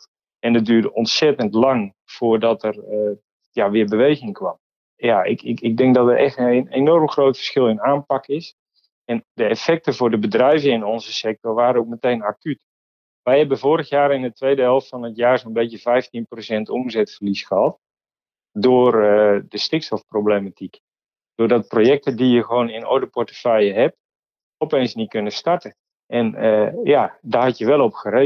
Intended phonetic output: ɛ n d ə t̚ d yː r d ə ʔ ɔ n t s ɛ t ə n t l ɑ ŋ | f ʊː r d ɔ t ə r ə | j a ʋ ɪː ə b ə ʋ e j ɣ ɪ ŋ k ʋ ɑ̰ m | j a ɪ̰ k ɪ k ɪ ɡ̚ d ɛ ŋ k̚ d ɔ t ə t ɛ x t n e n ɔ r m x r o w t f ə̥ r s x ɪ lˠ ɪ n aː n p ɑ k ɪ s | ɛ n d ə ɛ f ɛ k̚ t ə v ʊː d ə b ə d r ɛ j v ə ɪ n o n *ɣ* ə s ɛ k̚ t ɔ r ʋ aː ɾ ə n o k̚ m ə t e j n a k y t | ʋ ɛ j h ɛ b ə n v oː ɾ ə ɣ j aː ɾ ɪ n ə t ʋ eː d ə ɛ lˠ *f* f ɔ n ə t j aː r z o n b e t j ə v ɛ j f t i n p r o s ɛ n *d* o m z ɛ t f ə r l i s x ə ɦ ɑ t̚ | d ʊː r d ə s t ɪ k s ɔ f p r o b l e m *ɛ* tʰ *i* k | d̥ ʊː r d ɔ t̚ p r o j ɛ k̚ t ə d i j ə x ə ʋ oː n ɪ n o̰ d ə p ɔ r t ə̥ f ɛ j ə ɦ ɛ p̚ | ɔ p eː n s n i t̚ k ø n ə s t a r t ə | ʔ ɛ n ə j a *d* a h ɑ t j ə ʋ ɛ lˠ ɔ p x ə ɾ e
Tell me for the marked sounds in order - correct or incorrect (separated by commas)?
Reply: incorrect, correct, incorrect, incorrect, correct, correct